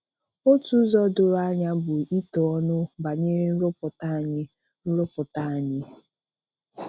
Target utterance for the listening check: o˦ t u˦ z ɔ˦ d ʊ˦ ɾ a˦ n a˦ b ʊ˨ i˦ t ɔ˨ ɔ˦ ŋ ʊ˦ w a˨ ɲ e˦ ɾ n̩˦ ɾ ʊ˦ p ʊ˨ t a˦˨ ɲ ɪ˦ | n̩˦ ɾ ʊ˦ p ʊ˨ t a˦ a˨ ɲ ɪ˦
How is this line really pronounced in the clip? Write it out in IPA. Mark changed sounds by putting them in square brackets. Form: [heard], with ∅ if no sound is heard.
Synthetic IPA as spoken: o˦ t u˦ z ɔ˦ d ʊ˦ ɾ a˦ [ɲ] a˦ b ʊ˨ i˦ t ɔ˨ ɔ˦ [n] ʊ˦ [b] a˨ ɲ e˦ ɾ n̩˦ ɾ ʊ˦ p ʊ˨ t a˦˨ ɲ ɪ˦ | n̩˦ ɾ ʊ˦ p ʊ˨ t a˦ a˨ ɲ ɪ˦